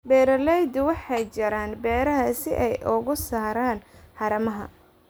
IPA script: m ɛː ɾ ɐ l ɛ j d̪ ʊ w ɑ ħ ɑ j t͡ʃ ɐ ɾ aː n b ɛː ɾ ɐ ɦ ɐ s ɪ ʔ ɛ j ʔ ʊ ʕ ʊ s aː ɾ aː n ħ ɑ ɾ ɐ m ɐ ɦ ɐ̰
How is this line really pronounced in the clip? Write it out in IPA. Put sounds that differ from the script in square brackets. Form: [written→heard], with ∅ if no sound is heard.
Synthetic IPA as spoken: [m→b] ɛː ɾ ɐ l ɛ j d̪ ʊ w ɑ ħ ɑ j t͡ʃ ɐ ɾ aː n b ɛː ɾ ɐ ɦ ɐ s ɪ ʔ ɛ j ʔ ʊ [ʕ→ɣ] ʊ s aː ɾ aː n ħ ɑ ɾ ɐ m ɐ ɦ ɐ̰